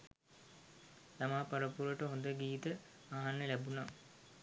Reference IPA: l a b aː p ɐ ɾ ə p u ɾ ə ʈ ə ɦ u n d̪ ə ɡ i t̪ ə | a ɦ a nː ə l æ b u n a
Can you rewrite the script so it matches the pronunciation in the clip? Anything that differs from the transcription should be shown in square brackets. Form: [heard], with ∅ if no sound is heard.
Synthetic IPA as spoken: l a [m] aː p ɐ ɾ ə p u ɾ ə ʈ ə ɦ [o] n d̪ ə ɡ [iː] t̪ ə | a ɦ a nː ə l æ b u n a